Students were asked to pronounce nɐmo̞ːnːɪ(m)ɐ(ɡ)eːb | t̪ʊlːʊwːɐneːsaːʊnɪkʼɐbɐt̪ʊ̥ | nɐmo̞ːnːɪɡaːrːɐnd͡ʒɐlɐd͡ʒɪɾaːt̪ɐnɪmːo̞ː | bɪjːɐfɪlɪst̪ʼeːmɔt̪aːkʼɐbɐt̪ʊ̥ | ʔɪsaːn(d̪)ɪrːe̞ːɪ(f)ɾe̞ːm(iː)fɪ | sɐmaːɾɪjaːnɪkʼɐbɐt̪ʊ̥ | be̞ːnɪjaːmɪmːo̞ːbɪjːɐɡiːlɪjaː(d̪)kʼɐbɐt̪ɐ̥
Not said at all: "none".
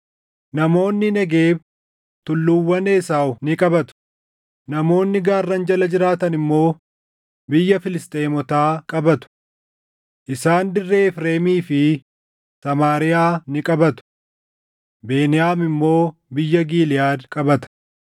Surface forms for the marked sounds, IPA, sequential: n, ɡ, d̪, f, iː, d̪

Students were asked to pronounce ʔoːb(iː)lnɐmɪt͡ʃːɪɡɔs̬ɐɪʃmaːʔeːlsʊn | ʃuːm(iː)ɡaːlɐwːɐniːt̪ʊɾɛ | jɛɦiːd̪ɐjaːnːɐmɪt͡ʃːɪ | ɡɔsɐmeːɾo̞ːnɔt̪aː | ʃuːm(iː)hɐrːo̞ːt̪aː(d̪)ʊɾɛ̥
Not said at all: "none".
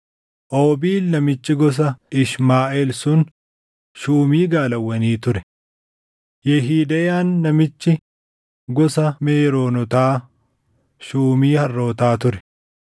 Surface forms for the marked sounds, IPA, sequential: iː, iː, iː, t̪

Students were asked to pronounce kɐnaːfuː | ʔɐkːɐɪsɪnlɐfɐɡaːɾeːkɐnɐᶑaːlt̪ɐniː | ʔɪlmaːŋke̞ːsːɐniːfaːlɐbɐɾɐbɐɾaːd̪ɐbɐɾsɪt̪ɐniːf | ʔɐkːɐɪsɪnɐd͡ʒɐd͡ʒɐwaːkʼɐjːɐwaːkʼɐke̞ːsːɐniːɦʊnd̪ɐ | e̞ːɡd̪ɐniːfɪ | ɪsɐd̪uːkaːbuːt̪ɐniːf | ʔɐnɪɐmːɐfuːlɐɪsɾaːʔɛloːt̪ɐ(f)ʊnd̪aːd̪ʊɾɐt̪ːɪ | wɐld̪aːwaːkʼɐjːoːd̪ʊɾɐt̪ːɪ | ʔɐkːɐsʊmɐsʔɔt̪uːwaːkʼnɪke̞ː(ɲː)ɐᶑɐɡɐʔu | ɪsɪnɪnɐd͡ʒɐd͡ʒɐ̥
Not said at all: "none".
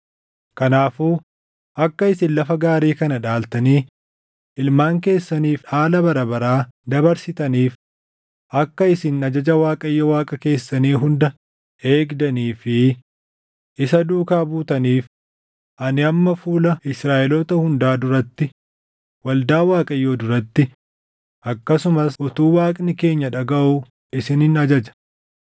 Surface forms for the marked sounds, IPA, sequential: h, ɲː

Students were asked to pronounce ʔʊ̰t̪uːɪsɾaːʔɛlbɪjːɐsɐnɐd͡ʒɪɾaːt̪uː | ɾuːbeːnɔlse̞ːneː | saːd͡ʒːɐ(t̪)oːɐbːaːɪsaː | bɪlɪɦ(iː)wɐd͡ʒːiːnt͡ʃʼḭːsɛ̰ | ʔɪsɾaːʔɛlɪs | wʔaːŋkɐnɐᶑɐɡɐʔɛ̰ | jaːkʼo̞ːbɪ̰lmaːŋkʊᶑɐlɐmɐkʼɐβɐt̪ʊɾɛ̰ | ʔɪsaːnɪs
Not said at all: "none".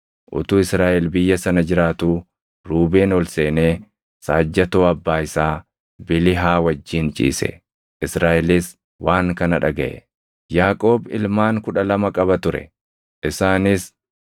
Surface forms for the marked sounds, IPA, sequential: t̪, aː

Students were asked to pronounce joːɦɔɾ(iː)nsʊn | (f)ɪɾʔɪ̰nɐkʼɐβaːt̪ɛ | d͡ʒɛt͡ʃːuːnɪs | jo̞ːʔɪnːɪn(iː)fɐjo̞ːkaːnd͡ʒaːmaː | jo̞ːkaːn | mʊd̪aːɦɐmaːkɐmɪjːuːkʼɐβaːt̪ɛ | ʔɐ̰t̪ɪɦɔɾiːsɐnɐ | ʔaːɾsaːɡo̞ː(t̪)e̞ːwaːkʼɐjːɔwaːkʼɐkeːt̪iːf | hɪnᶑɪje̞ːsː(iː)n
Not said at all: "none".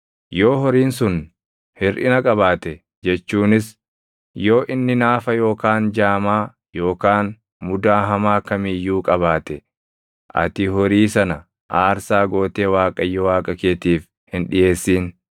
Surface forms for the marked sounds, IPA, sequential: iː, h, aː, t̪, iː

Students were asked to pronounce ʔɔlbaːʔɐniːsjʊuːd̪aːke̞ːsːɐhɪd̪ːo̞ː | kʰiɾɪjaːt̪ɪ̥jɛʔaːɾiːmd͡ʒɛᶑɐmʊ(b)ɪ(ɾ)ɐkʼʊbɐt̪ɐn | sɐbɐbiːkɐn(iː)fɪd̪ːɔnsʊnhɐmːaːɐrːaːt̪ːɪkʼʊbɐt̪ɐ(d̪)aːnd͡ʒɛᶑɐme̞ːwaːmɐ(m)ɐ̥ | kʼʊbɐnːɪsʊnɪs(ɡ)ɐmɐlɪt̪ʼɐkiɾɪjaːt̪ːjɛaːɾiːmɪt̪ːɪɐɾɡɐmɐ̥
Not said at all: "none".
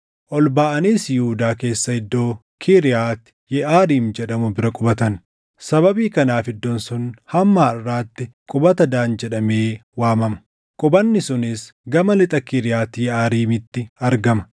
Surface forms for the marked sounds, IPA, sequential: b, ɾ, aː, d̪, m, ɡ

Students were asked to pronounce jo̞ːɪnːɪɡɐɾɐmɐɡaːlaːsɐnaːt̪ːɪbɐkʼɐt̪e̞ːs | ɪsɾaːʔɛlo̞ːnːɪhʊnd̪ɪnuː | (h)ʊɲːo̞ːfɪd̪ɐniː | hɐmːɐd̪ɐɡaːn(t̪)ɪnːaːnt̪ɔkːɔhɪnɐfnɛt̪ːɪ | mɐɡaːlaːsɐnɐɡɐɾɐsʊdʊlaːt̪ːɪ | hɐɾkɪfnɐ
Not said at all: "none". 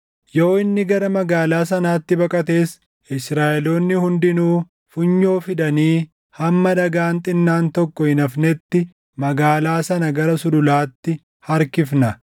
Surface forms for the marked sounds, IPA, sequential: f, t̪ʼ

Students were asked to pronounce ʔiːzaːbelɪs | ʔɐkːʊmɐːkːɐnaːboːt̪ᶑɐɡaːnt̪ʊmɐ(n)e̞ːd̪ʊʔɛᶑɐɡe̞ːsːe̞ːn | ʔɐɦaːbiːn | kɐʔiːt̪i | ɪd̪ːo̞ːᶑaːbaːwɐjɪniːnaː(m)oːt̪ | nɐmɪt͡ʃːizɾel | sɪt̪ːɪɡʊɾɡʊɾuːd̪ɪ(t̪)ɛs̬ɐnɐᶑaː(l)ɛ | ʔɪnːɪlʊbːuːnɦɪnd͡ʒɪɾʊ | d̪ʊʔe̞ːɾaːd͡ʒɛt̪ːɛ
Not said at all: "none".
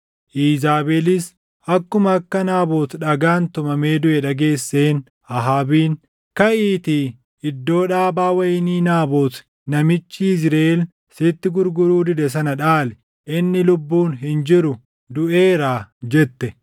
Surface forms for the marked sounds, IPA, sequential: m, b, d̪, l

